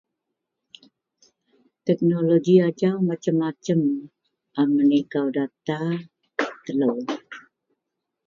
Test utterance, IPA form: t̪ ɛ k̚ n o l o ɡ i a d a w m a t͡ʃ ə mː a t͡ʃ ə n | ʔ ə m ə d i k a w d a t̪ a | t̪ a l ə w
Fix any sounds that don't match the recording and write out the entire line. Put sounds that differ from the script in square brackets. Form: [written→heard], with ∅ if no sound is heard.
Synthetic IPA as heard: t̪ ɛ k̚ n o l o ɡ i a [d→d͡ʒ] a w m a t͡ʃ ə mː a t͡ʃ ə [n→m] | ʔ [ə→a] m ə [d→n] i k a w d a t̪ a | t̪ [a→ə] l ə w